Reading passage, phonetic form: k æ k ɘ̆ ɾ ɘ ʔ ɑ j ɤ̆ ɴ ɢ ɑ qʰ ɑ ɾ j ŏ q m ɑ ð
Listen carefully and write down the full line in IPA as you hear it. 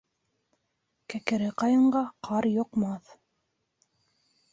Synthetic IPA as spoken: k æ k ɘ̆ ɾ ɘ q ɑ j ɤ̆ ɴ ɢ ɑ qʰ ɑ ɾ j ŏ q m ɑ θ